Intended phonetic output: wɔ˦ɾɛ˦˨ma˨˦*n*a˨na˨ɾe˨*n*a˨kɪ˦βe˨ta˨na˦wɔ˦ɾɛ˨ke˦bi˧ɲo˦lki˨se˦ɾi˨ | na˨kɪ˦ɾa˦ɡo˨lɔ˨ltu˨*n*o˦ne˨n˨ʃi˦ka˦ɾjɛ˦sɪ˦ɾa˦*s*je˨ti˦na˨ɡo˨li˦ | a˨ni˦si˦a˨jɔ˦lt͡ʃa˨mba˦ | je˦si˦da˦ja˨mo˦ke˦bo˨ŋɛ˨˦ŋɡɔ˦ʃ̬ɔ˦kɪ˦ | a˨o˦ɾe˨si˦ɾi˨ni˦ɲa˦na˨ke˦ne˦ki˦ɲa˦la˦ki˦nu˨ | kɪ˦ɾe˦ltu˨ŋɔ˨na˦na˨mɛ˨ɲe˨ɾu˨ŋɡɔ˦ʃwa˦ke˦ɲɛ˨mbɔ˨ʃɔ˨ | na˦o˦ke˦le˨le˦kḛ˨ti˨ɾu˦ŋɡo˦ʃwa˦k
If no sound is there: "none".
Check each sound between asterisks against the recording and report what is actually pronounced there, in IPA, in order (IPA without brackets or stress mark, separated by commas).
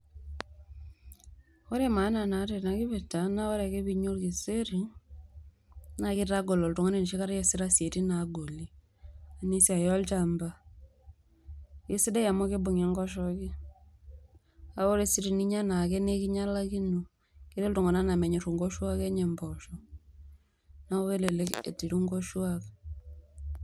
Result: n, n, ŋ, s